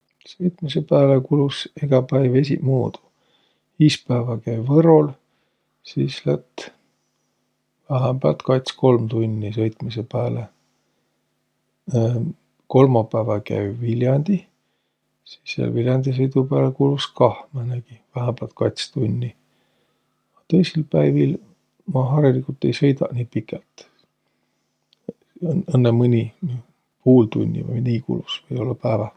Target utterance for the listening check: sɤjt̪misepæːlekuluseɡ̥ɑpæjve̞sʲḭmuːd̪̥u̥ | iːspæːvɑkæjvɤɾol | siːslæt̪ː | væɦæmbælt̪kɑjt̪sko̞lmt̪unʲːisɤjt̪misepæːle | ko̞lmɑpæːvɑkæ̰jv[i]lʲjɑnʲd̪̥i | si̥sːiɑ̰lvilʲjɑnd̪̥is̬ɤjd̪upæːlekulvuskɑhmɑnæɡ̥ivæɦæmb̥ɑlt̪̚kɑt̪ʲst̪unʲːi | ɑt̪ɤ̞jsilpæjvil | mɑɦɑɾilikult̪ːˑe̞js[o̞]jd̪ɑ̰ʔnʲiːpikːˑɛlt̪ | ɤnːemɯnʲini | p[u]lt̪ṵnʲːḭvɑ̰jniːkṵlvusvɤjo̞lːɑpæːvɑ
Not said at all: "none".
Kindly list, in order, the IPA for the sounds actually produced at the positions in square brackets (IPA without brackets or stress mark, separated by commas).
i, ɤ̞, uː